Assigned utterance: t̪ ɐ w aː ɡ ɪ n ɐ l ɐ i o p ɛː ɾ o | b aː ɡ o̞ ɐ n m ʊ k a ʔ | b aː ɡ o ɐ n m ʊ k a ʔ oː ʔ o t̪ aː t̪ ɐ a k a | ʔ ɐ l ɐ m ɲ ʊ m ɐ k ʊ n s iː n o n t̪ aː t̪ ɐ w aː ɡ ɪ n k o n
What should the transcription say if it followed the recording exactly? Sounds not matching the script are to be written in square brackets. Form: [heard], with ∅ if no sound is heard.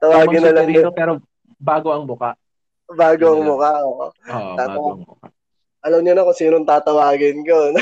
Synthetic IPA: t̪ ɐ w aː ɡ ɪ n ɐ l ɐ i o p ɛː ɾ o | b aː ɡ o̞ ɐ [ŋ] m ʊ k a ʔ | b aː ɡ o ɐ [ŋ] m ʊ k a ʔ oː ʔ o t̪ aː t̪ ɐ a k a | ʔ ɐ l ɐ m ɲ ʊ [n] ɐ k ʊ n s iː n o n t̪ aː t̪ ɐ w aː ɡ ɪ n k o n